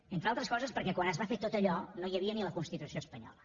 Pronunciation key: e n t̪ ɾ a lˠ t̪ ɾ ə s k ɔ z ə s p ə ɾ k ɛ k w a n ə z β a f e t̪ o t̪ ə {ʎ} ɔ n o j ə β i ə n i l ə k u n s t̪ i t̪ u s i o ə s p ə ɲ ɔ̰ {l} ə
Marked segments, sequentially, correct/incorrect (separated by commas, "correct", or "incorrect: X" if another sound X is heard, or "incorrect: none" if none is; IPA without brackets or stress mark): correct, correct